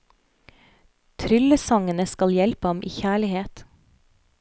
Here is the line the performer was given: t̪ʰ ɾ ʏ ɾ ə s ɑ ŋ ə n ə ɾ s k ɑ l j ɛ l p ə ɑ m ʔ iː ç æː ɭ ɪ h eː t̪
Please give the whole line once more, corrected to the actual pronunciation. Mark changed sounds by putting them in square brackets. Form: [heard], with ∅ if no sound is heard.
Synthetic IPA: t̪ʰ ɾ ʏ [l] ə s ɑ ŋ ə n ə [∅] s k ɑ l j ɛ l p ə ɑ m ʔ iː ç æː ɭ ɪ h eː t̪